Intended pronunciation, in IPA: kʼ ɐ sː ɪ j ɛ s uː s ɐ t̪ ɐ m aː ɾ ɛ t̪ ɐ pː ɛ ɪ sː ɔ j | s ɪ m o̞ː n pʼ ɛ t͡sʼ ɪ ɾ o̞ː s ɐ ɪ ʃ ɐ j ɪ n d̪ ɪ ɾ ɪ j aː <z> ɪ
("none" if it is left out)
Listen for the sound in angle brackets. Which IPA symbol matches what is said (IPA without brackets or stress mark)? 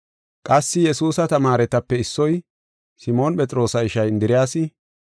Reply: s